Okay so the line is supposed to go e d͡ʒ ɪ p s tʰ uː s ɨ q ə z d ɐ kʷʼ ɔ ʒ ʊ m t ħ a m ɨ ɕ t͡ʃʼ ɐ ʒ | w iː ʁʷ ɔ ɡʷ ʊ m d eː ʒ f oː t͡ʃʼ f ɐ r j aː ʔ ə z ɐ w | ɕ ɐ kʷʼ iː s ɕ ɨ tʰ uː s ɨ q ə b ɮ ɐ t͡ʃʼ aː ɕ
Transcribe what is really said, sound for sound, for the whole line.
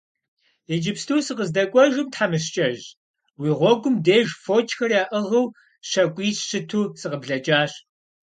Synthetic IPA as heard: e d͡ʒ ɪ p s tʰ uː s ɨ q ə z d ɐ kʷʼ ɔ ʒ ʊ m t ħ a m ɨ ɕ t͡ʃʼ ɐ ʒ | w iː ʁʷ ɔ ɡʷ ʊ m d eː ʒ f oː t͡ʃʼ x ɐ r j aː ʔ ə ʁ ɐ w | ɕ ɐ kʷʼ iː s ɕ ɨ tʰ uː s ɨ q ə b ɮ ɐ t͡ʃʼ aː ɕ